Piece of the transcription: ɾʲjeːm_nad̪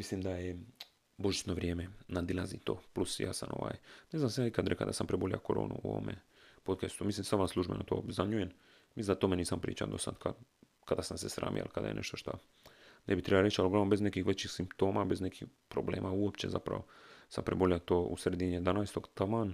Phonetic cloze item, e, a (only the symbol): e